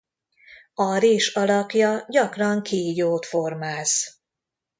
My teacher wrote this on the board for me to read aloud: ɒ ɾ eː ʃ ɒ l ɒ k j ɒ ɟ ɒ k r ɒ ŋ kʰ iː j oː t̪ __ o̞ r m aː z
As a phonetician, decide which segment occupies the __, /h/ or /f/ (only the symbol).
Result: f